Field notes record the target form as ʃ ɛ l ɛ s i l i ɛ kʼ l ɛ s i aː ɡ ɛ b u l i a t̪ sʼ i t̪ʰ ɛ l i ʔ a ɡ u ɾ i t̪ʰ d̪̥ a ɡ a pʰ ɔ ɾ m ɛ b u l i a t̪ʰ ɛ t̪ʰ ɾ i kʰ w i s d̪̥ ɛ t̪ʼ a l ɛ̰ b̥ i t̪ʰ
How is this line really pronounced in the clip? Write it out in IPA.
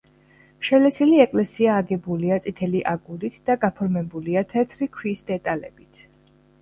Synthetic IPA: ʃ ɛ l ɛ s i l i ɛ kʼ l ɛ s i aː ɡ ɛ b u l i a t̪ sʼ i t̪ʰ ɛ l i ʔ a ɡ u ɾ i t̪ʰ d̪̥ a ɡ a pʰ ɔ ɾ m ɛ b u l i a t̪ʰ ɛ t̪ʰ ɾ i kʰ w i s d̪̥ ɛ t̪ʼ a l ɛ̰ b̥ i t̪ʰ